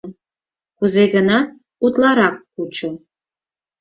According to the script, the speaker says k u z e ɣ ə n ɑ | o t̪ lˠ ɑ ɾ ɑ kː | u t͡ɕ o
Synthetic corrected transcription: k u z e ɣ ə n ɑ | u t̪ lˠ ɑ ɾ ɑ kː | u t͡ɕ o